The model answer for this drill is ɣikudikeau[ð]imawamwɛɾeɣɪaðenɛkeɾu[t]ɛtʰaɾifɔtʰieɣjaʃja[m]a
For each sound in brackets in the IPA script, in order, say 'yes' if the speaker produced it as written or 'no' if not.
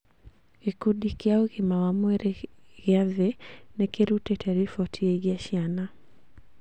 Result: no, yes, no

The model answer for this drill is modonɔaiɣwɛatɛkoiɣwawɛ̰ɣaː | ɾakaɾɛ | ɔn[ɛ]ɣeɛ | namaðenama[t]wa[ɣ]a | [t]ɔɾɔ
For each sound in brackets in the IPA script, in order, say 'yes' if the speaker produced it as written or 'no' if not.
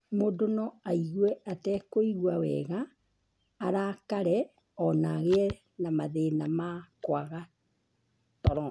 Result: no, no, yes, yes

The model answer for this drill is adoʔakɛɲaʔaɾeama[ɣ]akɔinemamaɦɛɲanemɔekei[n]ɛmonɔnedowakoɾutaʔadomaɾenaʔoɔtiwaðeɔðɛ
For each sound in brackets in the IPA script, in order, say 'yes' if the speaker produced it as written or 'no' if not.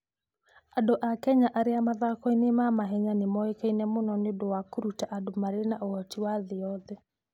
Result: no, yes

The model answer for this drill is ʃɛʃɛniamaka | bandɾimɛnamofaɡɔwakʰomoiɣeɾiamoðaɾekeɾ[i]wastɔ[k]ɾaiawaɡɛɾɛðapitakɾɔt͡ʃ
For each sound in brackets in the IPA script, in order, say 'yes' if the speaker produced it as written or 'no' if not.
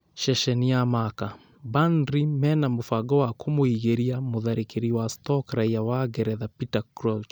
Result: yes, yes

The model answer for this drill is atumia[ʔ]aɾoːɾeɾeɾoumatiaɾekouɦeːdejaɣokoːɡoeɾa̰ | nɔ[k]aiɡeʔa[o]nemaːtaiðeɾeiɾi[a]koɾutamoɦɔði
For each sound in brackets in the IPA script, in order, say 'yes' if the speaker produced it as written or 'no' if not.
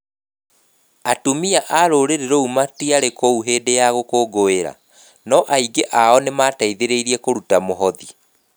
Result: yes, no, no, no

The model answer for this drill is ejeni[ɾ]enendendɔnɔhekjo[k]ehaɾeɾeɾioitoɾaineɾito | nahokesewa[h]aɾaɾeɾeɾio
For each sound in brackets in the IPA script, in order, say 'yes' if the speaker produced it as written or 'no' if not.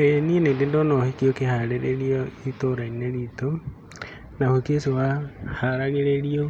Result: no, yes, yes

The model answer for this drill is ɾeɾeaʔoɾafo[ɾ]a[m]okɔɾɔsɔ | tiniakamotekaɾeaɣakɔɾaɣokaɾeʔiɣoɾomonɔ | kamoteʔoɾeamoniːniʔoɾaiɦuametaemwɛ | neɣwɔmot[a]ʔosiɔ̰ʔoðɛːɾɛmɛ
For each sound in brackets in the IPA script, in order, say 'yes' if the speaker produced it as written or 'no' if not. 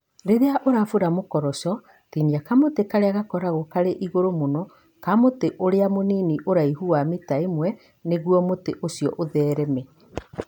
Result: yes, yes, no

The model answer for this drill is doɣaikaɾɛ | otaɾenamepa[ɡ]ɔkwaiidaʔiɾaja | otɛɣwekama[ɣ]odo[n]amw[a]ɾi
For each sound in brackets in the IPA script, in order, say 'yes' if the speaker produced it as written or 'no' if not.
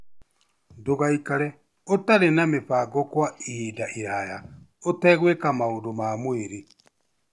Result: yes, no, no, no

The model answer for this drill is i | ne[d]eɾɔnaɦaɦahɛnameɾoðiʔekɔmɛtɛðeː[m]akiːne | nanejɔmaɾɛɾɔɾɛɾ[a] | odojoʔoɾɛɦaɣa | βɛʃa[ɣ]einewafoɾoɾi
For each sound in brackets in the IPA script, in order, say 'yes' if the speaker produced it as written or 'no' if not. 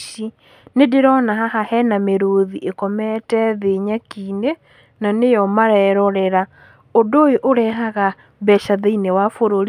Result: yes, no, yes, no

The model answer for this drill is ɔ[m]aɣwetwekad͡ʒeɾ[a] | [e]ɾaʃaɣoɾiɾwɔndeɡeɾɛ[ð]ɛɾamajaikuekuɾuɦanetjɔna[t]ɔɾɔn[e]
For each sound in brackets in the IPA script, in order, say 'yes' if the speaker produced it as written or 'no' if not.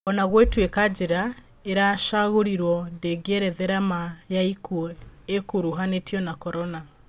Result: no, yes, yes, yes, no, no

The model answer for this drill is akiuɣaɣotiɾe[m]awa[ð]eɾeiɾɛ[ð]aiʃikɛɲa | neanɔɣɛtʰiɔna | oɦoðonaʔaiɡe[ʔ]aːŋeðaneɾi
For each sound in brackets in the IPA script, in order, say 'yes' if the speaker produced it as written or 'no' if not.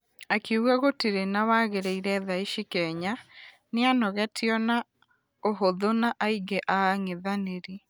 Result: no, no, yes, yes

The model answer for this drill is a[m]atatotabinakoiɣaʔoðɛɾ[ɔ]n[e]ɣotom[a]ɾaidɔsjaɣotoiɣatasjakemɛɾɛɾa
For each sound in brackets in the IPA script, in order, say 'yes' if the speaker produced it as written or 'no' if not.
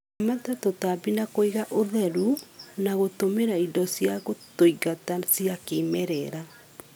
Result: yes, no, no, no

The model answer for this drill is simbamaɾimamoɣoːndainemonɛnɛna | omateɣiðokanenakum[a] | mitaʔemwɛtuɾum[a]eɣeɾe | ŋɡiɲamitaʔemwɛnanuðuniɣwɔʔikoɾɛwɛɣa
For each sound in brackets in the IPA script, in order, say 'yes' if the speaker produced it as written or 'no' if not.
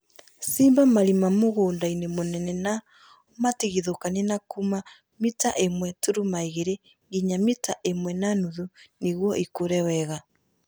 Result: yes, yes

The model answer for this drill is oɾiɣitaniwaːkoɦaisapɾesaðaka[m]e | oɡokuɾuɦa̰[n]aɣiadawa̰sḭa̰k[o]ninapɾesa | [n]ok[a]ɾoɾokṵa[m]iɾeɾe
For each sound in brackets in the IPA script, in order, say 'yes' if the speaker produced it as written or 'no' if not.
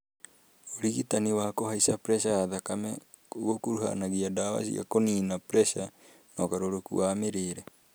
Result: yes, yes, yes, yes, yes, yes

